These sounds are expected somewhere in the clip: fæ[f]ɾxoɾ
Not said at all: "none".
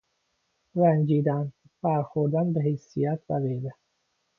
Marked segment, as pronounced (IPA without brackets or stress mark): none